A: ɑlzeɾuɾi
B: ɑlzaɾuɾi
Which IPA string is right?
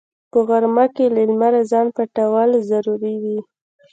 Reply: B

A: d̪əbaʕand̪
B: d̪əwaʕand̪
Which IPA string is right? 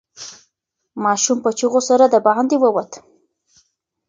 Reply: A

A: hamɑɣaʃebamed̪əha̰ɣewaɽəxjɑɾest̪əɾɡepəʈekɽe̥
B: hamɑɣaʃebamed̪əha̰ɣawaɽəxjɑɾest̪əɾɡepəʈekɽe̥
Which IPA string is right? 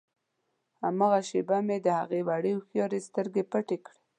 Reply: A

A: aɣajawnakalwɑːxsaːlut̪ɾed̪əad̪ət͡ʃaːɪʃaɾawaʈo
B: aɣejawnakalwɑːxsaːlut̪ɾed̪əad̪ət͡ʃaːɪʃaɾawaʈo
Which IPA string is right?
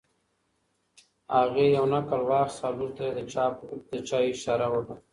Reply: B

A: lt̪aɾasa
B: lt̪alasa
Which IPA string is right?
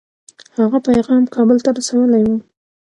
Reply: A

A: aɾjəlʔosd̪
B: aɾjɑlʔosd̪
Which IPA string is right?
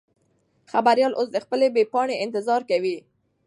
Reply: B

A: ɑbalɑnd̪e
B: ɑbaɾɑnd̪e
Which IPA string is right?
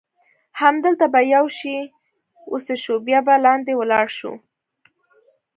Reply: A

